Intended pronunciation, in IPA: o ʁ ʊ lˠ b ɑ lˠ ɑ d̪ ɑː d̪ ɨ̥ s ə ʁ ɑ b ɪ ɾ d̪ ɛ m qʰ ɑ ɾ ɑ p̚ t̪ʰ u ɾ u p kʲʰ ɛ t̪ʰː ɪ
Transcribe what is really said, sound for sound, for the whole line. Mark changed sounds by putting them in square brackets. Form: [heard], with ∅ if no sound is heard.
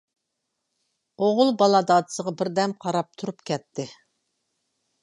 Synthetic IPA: o ʁ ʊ lˠ b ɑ lˠ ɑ d̪ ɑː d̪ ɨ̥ s ə ʁ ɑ b ɪ ɾ d̪ ɛ m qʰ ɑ ɾ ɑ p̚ t̪ʰ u ɾ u p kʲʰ ɛ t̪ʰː ɪ